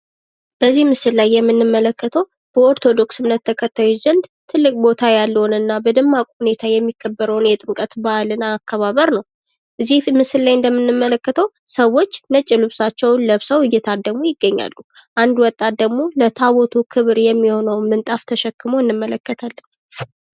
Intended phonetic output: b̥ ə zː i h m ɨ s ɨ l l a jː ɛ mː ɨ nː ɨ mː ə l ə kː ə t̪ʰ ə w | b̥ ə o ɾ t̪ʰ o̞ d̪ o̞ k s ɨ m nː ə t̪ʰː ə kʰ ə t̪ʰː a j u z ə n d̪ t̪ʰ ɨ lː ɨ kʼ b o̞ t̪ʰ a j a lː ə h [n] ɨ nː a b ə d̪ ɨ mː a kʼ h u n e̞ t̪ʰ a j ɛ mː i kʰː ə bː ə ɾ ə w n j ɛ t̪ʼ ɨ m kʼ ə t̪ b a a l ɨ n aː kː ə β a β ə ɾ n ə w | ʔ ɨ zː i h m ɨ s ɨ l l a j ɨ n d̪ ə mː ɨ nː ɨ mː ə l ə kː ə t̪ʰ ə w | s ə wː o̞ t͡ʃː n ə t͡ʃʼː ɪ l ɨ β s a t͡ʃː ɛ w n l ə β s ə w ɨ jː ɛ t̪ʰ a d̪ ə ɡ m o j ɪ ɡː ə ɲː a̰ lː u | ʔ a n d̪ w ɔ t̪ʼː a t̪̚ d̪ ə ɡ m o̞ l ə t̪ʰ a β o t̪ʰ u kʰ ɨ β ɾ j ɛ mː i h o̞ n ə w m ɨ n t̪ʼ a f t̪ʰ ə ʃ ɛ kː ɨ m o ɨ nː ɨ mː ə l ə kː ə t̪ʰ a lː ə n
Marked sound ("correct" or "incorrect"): correct